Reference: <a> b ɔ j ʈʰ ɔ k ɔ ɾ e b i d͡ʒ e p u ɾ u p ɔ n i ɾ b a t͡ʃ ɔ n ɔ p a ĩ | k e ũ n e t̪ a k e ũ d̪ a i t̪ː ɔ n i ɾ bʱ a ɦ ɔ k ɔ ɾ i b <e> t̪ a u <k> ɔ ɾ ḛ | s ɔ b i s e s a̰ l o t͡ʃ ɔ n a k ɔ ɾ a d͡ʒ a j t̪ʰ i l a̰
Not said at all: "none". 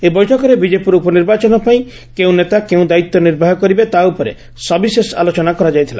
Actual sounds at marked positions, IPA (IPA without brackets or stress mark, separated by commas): e, e, p